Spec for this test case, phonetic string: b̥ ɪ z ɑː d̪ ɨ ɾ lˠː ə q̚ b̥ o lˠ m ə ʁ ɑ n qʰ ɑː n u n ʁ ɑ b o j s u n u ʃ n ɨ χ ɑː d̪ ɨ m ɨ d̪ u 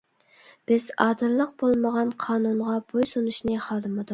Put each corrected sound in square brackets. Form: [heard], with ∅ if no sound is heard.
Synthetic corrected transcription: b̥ ɪ z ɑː d̪ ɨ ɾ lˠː ə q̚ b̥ o lˠ m ə ʁ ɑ n qʰ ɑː n u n ʁ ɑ b o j s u n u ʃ n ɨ χ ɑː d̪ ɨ m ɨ d̪ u